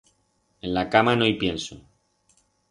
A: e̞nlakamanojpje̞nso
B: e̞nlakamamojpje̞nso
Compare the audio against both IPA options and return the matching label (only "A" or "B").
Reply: A